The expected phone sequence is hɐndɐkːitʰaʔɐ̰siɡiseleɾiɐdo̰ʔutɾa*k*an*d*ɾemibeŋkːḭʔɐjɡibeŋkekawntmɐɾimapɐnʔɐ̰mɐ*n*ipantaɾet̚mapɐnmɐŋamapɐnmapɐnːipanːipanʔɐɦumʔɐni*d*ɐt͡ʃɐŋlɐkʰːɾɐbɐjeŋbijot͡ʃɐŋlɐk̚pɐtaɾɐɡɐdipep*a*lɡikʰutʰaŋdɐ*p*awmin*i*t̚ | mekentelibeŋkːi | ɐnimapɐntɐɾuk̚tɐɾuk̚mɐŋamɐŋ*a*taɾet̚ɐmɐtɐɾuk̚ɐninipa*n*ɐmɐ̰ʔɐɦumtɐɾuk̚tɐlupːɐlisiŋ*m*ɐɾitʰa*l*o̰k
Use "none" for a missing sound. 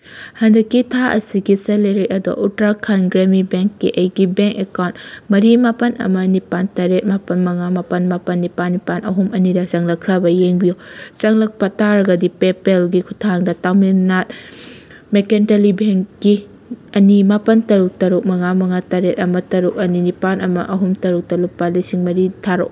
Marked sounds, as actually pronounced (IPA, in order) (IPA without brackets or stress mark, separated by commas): kʰ, ɡ, n, d, e, t, a, a, n, m, ɾ